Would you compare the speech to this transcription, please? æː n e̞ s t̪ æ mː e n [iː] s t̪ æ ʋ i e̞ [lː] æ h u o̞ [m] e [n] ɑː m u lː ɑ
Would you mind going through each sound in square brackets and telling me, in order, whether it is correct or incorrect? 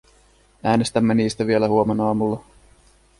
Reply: correct, incorrect: l, correct, correct

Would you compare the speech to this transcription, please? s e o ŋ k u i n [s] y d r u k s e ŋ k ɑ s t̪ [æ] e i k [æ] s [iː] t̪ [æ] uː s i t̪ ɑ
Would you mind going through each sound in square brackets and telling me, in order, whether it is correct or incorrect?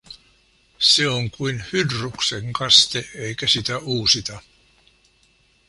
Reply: incorrect: h, incorrect: e, correct, incorrect: i, correct

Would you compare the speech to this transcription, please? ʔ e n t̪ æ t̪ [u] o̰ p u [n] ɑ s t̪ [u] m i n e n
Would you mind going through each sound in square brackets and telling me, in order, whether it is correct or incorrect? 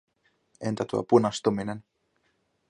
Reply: correct, correct, correct

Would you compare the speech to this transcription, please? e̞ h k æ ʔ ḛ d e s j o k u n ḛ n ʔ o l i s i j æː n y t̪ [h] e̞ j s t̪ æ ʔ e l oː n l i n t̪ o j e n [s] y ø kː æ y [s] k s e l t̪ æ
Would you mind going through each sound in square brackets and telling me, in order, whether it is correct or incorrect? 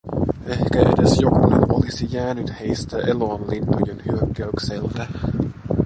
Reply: correct, incorrect: h, incorrect: none

